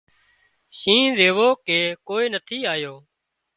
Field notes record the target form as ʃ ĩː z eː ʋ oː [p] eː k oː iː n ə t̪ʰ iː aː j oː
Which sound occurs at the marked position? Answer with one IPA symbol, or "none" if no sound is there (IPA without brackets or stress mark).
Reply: k